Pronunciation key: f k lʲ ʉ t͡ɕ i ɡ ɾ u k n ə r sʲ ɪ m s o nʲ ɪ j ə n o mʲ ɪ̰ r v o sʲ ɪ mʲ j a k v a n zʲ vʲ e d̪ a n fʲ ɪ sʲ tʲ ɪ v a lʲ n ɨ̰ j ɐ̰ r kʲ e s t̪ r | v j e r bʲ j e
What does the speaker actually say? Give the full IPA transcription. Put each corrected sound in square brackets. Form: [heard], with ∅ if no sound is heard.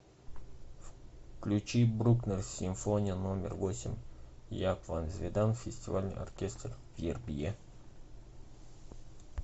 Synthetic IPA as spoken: f k lʲ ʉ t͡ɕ i [b] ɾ u k n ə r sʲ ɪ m [f] o nʲ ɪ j ə n o mʲ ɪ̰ r v o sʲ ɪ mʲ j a k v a n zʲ vʲ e d̪ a n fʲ ɪ sʲ tʲ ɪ v a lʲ n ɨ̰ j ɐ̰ r kʲ e s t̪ r | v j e r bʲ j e